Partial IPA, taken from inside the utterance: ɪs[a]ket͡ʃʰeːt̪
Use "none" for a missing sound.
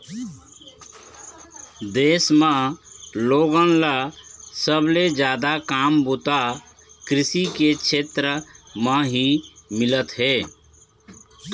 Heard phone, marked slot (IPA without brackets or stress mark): i